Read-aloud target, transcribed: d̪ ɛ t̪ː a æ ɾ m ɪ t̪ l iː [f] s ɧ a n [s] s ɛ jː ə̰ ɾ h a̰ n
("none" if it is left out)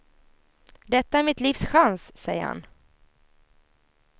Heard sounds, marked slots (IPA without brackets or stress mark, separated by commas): f, s